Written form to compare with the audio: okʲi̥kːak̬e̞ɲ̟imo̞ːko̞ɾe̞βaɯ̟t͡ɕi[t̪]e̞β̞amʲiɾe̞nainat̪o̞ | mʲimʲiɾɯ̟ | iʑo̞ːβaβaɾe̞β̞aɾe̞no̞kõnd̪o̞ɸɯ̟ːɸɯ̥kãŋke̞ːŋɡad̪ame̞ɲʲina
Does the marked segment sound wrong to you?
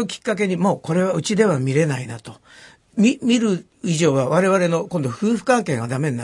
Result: yes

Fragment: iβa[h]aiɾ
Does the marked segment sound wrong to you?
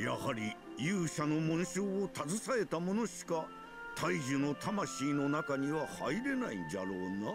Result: no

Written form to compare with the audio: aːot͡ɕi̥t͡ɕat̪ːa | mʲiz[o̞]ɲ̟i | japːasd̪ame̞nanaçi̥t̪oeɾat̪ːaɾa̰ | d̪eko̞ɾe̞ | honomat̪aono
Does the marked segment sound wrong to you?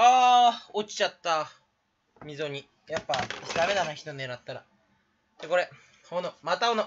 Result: no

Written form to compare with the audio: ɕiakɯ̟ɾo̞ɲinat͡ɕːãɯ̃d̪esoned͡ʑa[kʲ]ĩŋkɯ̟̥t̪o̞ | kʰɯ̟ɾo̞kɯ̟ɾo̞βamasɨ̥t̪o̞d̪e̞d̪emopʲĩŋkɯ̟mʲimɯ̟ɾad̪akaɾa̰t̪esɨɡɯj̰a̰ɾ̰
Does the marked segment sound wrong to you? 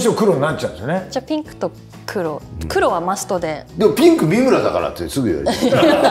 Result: yes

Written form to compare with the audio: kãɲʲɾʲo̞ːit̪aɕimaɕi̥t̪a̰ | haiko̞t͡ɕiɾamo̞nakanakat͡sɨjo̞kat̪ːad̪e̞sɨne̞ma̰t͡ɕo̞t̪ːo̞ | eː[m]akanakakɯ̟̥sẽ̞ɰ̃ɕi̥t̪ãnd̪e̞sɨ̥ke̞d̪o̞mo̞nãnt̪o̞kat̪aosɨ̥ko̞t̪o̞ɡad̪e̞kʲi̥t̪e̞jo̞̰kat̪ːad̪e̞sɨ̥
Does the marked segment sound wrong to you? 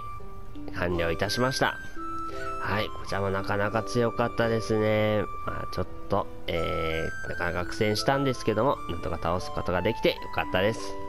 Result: yes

